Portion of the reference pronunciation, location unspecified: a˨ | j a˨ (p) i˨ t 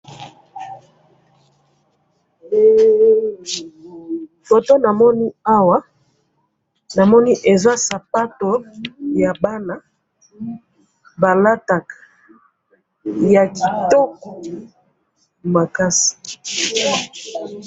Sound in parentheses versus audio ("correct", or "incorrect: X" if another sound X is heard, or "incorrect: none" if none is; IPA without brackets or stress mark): incorrect: k